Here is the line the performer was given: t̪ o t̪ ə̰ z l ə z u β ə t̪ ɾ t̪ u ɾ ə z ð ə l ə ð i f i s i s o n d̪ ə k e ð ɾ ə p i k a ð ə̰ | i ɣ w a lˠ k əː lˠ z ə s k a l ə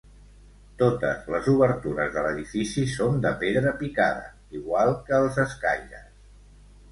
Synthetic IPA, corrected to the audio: t̪ o t̪ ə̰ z l ə z u β ə ɾ t̪ u ɾ ə z ð ə l ə ð i f i s i s o n d̪ ə p e ð ɾ ə p i k a ð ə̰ | i ɣ w a lˠ k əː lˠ z ə s k a ʎ ə